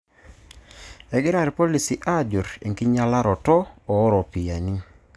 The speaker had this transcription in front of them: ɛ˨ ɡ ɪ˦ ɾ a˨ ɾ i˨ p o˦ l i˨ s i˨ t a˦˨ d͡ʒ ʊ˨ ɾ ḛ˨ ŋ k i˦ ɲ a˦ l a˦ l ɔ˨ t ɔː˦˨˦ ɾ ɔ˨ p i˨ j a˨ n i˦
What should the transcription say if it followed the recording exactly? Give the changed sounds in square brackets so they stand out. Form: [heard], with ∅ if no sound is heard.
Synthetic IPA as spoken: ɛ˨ ɡ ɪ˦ ɾ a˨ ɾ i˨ p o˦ l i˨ s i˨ [ʔ] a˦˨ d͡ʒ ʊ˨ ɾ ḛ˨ ŋ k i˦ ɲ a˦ l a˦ [ɾ] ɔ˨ t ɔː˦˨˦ ɾ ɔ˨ p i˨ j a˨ n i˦